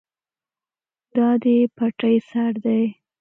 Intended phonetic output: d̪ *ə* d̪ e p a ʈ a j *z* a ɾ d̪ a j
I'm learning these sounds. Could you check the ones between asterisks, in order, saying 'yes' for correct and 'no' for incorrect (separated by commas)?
no, no